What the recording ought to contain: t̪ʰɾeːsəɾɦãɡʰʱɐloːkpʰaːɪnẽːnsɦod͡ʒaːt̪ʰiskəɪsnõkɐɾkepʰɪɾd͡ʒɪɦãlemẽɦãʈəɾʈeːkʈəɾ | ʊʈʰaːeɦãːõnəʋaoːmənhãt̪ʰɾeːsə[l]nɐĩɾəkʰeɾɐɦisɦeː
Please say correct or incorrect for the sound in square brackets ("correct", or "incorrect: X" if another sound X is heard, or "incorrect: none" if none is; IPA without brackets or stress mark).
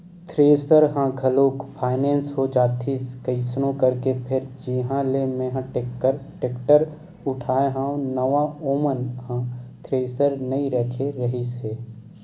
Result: incorrect: ɾ